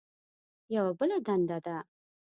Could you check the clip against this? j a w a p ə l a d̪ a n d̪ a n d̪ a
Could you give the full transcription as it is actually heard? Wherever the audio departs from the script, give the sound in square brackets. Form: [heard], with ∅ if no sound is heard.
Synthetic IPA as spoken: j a w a [b] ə l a d̪ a n d̪ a [∅] d̪ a